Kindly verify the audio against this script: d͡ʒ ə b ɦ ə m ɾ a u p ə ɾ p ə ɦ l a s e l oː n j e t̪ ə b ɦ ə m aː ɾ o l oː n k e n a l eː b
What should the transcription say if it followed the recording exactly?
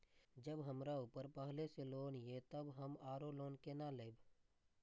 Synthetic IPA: d͡ʒ ə b ɦ ə m ɾ a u p ə ɾ p ə ɦ l e s e l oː n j e t̪ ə b ɦ ə m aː ɾ o l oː n k e n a l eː b